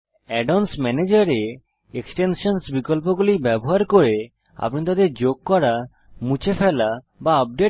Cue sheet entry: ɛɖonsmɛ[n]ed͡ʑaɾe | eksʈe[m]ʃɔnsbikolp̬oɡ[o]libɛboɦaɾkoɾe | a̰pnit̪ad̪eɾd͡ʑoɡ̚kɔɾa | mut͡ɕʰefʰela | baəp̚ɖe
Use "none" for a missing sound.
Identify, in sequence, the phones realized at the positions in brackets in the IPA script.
n, n, u

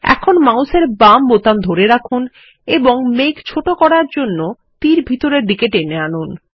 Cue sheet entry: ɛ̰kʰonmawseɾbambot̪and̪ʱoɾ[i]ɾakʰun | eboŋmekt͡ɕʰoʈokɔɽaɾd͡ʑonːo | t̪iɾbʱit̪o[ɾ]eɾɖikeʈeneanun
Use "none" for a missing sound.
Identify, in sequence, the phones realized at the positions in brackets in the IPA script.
e, ɾ

